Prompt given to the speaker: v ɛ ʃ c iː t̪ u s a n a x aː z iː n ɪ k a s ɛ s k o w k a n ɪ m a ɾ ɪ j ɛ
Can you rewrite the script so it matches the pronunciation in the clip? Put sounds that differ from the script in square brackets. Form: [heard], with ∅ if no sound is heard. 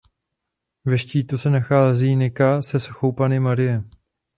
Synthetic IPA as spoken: v ɛ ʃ c iː t̪ u s [ɛ] n a x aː z iː n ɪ k a s ɛ s [x] o w [p] a n ɪ m a ɾ ɪ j ɛ